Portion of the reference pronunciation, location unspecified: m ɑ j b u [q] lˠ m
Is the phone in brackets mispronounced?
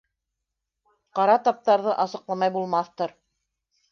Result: yes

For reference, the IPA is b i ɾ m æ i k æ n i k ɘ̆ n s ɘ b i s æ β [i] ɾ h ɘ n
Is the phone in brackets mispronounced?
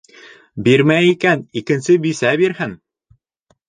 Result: no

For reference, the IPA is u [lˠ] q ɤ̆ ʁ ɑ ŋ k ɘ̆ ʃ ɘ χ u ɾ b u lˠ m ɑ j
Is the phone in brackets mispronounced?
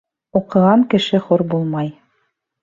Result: yes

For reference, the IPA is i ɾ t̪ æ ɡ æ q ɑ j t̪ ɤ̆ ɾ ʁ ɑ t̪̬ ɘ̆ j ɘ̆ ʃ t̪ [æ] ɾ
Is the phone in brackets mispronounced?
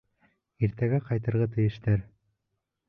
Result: no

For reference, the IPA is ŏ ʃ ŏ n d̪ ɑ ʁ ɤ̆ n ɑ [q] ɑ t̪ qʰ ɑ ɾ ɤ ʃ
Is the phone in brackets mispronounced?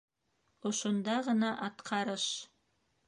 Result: yes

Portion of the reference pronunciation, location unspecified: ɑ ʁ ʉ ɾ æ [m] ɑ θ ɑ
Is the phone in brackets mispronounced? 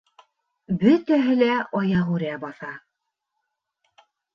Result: yes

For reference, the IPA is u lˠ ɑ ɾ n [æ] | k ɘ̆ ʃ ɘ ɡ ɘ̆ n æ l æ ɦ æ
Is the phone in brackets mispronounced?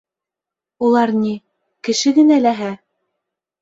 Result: yes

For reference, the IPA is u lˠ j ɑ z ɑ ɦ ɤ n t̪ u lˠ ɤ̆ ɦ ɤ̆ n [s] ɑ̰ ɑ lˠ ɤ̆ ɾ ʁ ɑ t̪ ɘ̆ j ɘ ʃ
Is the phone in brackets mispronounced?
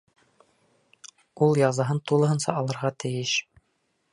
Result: no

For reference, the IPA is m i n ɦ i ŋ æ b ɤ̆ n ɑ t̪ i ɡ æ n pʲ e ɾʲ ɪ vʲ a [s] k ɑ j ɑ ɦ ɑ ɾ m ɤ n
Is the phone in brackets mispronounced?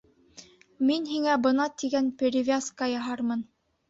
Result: no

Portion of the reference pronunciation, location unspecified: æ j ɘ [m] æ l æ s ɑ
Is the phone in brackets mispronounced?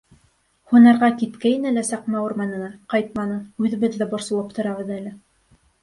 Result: yes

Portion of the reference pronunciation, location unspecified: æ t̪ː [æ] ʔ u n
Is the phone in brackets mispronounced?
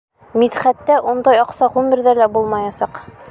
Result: no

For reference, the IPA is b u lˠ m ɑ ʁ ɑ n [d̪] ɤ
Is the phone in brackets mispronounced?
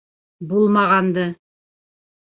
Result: no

